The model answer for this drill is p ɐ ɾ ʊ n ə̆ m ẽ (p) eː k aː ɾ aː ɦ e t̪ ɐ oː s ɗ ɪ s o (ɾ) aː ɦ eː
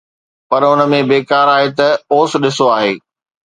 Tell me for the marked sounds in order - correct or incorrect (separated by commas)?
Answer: incorrect, incorrect